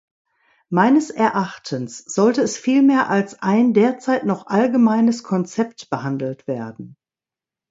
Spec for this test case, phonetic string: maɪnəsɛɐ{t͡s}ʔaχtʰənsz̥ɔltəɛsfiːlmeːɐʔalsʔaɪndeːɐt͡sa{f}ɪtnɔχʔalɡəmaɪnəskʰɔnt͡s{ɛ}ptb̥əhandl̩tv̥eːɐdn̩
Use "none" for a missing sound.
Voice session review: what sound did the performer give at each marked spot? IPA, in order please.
none, none, ɛ

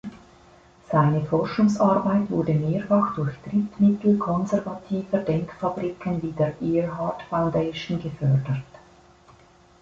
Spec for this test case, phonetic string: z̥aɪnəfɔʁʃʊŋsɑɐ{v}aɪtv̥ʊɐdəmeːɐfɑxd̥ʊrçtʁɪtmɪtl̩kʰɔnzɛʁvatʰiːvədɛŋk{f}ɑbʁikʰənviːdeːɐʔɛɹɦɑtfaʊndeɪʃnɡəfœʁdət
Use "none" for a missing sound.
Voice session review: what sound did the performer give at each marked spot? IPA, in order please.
b, f

